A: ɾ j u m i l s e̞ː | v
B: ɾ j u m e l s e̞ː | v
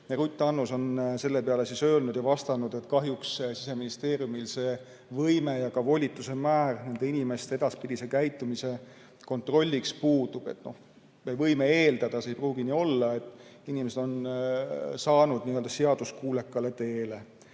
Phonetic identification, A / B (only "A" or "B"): A